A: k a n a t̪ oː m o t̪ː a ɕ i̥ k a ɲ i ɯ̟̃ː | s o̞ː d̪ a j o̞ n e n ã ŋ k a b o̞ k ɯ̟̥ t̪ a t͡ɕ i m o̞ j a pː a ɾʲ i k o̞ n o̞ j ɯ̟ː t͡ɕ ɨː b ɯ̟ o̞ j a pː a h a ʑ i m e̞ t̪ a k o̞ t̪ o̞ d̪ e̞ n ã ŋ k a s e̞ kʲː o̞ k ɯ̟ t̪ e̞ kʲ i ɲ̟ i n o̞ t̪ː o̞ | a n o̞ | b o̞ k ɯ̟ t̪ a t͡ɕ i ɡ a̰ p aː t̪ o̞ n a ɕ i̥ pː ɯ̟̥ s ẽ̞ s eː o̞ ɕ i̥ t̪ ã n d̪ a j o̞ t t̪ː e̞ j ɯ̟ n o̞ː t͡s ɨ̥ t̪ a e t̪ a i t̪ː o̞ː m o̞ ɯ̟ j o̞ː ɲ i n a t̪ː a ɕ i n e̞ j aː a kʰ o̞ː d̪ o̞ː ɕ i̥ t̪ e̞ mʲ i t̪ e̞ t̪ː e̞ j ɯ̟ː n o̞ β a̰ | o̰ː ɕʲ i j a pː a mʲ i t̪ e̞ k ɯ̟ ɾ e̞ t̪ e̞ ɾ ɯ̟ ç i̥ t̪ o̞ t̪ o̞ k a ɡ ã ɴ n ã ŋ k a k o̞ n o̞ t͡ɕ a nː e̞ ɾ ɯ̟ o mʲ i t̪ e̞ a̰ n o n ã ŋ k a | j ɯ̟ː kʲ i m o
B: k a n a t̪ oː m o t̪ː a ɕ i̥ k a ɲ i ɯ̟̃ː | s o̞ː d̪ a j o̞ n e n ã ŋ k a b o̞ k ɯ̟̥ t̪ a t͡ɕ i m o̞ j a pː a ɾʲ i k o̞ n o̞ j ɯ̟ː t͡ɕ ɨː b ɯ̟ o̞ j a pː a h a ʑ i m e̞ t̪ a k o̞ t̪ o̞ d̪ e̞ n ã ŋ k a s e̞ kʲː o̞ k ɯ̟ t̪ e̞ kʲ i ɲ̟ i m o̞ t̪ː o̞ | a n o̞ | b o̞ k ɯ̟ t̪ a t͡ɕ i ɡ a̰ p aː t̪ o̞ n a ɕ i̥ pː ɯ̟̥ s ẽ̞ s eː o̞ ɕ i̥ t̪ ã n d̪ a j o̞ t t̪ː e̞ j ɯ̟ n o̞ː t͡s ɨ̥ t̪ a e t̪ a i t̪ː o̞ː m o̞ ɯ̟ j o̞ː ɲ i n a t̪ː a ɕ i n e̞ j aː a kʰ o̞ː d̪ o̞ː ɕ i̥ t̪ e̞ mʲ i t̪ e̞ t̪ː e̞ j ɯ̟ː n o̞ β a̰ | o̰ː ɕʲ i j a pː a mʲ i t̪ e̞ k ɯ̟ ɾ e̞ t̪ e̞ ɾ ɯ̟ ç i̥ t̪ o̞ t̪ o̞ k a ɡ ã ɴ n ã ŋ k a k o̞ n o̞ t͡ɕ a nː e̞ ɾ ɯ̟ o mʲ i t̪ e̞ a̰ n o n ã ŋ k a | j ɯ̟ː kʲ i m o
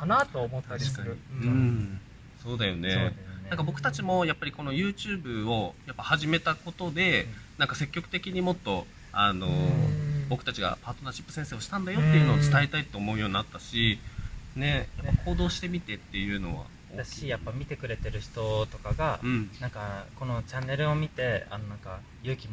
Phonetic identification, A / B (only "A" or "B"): B